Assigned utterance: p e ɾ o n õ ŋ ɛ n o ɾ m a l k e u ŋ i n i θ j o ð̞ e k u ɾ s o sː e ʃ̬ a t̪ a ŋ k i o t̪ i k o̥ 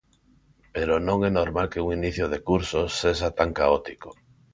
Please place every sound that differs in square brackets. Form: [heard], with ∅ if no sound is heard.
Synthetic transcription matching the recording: p e ɾ o n õ ŋ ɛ n o ɾ m a l k e u ŋ i n i θ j o ð̞ e k u ɾ s o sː e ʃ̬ a t̪ a ŋ k [a] o t̪ i k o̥